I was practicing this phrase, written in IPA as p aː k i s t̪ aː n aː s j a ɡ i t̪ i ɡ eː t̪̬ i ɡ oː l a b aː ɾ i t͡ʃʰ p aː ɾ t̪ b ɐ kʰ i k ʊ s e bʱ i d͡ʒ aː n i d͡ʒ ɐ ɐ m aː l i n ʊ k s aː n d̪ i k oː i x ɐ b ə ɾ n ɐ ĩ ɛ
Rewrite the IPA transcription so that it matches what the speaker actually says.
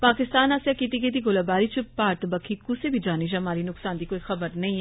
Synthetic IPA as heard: p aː k ɪ s t̪ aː n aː s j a k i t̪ i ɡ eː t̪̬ i ɡ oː l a b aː ɾ i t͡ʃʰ p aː ɾ t̪ b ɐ kʰ i k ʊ s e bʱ i d͡ʒ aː n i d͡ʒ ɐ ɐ m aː ɾ i n ʊ k s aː n d̪ i k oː i x ɐ b ə ɾ n ɐ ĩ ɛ